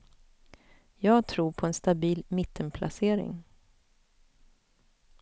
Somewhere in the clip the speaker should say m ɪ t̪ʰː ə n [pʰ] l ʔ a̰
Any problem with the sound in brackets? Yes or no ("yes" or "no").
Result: no